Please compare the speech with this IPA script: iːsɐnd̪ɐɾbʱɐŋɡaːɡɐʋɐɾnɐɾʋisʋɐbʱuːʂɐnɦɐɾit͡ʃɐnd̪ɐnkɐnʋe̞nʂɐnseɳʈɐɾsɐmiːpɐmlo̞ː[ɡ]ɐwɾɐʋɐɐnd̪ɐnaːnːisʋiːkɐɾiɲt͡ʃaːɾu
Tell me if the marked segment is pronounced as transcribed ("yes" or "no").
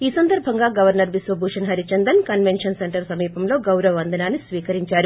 yes